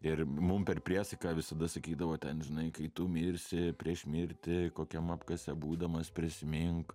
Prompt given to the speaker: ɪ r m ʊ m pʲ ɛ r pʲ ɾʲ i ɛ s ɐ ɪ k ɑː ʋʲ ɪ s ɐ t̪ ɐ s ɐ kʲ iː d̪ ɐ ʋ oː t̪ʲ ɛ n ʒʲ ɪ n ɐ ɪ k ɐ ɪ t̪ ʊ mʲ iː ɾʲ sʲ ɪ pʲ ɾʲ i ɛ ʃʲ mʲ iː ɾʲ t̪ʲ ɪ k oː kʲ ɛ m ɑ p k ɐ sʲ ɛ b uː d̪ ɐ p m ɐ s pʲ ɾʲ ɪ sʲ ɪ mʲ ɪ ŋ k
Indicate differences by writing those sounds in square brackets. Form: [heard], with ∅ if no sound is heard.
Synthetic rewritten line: ɪ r m ʊ m pʲ ɛ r pʲ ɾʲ i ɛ s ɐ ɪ k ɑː ʋʲ ɪ s ɐ [d̪] ɐ s ɐ kʲ iː d̪ ɐ ʋ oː t̪ʲ ɛ n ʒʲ ɪ n ɐ ɪ k ɐ ɪ t̪ ʊ mʲ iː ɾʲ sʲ ɪ pʲ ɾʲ i ɛ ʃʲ mʲ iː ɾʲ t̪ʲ ɪ k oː kʲ ɛ m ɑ p k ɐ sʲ ɛ b uː d̪ ɐ [∅] m ɐ s pʲ ɾʲ ɪ sʲ ɪ mʲ ɪ ŋ k